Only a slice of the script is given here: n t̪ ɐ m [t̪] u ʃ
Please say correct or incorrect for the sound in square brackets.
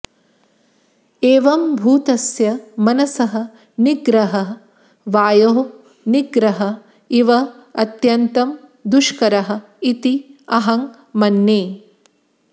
incorrect